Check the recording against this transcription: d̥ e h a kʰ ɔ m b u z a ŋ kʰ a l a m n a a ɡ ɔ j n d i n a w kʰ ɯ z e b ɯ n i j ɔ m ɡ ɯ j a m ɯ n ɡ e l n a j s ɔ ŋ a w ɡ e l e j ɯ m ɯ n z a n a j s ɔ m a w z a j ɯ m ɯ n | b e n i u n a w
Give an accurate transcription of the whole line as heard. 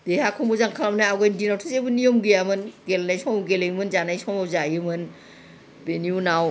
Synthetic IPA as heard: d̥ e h a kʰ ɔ m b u z a ŋ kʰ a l a m n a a ɡ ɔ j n d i n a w tʰ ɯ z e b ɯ n i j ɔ m ɡ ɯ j a m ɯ n ɡ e l n a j s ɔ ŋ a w ɡ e l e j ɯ m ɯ n z a n a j s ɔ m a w z a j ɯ m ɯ n | b e n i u n a w